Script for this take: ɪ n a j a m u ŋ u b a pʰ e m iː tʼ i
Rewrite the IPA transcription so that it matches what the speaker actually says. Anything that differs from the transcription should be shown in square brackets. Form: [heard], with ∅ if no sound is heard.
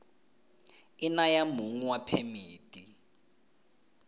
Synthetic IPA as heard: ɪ n a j a m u ŋ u [w] a pʰ e m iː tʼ i